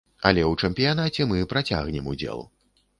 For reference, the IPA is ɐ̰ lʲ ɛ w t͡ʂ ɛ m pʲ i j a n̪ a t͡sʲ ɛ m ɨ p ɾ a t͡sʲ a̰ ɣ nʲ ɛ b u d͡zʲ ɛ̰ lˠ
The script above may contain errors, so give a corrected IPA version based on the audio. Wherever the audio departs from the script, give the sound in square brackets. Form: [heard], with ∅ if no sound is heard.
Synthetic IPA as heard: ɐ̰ lʲ ɛ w t͡ʂ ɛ m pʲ i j a n̪ a t͡sʲ ɛ m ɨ p ɾ a t͡sʲ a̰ ɣ nʲ ɛ [m] u d͡zʲ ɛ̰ lˠ

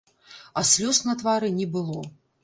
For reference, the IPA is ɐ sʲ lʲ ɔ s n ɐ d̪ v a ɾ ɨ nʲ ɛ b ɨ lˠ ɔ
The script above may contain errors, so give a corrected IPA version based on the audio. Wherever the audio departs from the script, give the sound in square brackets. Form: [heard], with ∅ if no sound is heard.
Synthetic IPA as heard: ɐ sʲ lʲ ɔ s n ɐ [t̪] v a ɾ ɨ nʲ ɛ b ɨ lˠ ɔ

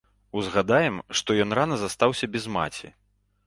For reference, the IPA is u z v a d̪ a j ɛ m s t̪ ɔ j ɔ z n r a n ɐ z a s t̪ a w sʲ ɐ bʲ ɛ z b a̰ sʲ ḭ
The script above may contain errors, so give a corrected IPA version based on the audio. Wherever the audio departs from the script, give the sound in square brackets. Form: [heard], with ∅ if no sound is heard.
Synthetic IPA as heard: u z [ɣ] a d̪ a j ɛ m [ʂ] t̪ ɔ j ɔ [∅] n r a n ɐ z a s t̪ a w sʲ ɐ bʲ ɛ z [m] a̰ [t͡sʲ] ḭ

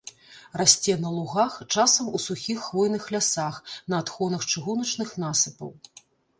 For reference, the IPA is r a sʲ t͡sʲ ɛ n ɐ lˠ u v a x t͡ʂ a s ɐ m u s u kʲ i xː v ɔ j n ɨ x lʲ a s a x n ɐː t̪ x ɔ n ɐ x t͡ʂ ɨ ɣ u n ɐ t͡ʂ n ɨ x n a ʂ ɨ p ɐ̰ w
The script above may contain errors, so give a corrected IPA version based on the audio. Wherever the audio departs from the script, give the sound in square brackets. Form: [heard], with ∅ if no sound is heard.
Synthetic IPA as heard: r a sʲ t͡sʲ ɛ n ɐ lˠ u [ɣ] a x t͡ʂ a s ɐ m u s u [xʲ] i xː v ɔ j n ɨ x lʲ a s a x n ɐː t̪ x ɔ n ɐ x t͡ʂ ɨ ɣ u n ɐ t͡ʂ n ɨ x n a [s] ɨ p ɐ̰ w

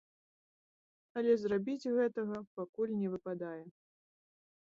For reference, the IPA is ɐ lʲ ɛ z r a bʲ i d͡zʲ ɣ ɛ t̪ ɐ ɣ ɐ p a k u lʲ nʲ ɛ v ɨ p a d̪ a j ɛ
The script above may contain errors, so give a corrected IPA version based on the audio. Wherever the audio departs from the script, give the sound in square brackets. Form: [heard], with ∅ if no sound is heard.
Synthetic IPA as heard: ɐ lʲ ɛ z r a bʲ i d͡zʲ ɣ ɛ t̪ ɐ ɣ ɐ p a k u lʲ nʲ ɛ v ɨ p a d̪ a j ɛ

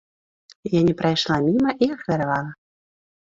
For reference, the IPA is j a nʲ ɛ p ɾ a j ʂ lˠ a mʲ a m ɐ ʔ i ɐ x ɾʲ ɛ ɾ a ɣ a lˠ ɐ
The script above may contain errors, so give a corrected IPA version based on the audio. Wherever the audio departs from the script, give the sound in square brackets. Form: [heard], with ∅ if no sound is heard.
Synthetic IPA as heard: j a nʲ ɛ p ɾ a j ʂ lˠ a mʲ [i] m ɐ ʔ i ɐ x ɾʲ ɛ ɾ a [v] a lˠ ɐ

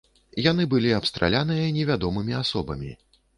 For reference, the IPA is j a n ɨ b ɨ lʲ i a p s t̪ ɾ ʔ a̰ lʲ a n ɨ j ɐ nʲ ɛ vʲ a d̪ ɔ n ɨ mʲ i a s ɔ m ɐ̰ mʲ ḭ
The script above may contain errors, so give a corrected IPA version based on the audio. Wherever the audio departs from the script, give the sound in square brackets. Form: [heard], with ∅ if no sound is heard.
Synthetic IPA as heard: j a n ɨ b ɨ lʲ i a p s t̪ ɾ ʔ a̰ lʲ a n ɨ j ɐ nʲ ɛ vʲ a d̪ ɔ [m] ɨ mʲ i a s ɔ [b] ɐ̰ mʲ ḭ

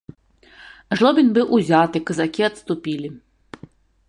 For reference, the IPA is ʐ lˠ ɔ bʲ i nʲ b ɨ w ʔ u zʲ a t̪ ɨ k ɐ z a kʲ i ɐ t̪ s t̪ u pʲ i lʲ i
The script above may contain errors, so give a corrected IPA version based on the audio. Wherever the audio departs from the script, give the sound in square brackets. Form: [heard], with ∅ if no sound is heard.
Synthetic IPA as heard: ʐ lˠ ɔ bʲ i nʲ b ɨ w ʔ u zʲ a t̪ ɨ k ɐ z a kʲ i ɐ t̪ s t̪ u pʲ i lʲ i

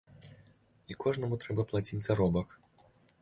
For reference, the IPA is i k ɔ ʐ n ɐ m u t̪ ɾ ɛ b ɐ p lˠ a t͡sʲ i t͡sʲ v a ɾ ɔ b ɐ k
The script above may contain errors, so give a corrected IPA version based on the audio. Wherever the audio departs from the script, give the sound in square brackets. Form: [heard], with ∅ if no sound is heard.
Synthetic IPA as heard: i k ɔ ʐ n ɐ m u t̪ ɾ ɛ b ɐ p lˠ a t͡sʲ i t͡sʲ [z] a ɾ ɔ b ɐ k

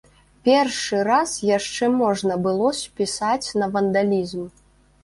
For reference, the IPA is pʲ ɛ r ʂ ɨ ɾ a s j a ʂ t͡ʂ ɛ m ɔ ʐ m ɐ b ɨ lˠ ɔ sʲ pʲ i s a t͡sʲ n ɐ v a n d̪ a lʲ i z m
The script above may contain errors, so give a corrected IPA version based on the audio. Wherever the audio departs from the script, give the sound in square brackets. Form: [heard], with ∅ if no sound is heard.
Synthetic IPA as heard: pʲ ɛ r ʂ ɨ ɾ a s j a ʂ t͡ʂ ɛ m ɔ ʐ [n] ɐ b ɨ lˠ ɔ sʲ pʲ i s a t͡sʲ n ɐ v [ɐ] n d̪ a lʲ i z m

